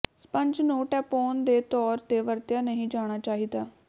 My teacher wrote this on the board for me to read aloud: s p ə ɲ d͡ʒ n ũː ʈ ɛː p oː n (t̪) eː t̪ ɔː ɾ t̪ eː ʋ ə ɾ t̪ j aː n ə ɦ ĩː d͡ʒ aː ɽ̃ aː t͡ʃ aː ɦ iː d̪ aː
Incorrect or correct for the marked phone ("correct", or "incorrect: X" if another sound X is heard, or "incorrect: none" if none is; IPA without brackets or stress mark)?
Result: incorrect: d̪